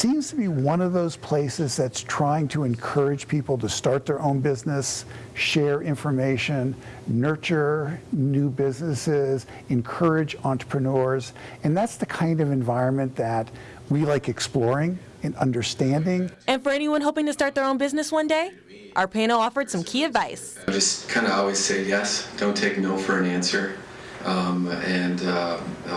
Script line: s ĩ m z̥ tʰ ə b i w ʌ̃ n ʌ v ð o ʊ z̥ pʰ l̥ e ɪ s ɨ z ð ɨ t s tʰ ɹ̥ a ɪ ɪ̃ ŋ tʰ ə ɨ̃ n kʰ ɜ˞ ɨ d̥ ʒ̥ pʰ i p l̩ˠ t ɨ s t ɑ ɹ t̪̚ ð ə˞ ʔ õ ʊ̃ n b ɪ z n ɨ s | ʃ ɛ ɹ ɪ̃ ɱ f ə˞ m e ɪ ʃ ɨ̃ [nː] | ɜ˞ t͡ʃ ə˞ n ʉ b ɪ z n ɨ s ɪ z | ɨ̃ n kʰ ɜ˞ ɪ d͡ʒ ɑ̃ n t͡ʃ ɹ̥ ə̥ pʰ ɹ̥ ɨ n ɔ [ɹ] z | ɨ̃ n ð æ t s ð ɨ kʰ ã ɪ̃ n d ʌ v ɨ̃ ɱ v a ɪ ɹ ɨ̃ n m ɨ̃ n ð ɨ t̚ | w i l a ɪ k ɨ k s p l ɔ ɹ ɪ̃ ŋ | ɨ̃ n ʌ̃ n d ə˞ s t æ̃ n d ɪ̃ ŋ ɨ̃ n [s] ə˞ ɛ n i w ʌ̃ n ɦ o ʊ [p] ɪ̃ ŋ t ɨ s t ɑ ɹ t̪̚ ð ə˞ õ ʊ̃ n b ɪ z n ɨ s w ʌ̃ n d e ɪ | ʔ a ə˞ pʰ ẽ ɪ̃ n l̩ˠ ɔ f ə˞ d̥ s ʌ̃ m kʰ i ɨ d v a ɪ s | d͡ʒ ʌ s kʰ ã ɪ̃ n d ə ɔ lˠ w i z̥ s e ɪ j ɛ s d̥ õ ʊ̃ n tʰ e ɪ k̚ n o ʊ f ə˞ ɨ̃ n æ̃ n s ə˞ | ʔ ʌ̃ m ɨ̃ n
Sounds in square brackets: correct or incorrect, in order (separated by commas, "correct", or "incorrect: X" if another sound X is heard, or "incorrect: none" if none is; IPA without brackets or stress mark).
correct, correct, incorrect: f, correct